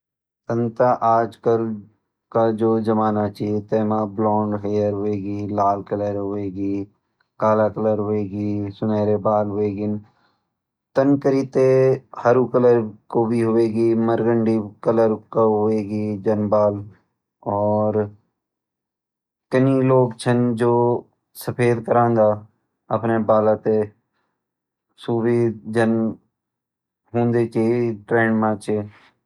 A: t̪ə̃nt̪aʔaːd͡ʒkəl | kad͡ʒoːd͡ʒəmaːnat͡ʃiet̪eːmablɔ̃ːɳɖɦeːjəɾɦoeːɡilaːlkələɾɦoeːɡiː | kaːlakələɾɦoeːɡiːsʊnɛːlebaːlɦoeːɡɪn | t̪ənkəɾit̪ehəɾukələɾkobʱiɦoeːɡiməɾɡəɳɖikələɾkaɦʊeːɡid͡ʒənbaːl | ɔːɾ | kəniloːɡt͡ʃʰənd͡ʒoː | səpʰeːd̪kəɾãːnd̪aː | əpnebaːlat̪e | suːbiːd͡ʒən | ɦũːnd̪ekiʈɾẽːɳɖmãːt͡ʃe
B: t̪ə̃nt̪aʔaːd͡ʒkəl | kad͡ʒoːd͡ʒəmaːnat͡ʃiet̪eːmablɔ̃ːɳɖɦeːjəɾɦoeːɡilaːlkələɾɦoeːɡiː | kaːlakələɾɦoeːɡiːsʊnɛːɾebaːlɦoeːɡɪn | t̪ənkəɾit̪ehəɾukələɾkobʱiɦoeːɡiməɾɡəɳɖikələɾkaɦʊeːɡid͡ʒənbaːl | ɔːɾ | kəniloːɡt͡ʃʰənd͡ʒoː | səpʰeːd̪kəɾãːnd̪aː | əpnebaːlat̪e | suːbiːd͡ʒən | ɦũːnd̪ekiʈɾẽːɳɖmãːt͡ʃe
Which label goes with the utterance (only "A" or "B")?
B